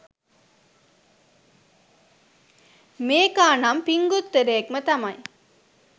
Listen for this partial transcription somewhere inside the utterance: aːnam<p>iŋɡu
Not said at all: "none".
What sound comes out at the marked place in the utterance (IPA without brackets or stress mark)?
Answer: p